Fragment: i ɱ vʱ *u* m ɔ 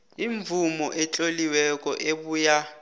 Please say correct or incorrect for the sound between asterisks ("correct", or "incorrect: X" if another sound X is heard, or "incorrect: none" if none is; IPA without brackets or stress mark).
correct